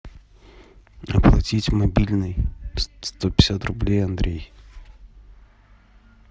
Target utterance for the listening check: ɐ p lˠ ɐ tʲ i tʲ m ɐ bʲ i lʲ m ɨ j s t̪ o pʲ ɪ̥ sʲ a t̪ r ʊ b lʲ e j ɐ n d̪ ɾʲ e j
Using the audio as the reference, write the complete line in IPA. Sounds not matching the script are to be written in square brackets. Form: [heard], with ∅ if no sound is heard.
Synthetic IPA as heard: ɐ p lˠ ɐ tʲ i tʲ m ɐ bʲ i lʲ [n] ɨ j s t̪ o pʲ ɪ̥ sʲ a t̪ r ʊ b lʲ e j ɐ n d̪ ɾʲ e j